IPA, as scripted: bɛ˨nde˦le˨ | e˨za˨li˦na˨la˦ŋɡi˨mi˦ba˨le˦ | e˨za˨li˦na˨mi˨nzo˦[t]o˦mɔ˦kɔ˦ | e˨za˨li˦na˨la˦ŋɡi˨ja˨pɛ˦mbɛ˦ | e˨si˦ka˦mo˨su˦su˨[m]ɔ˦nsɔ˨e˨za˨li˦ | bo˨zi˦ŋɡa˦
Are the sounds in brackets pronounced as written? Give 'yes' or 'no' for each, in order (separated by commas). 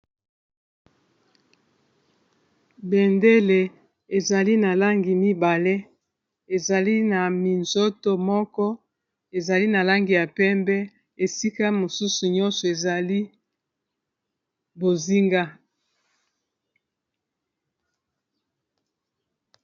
yes, no